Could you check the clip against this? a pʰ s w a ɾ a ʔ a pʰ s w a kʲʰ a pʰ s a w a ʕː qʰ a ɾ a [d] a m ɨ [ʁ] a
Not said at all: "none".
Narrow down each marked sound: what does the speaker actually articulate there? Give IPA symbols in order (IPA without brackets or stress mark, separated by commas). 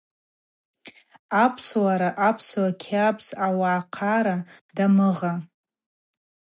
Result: d, ʁ